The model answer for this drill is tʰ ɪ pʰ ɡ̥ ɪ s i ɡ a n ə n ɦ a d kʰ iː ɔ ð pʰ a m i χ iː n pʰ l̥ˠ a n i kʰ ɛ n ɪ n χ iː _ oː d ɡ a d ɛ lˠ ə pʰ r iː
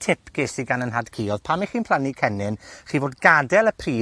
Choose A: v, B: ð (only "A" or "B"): A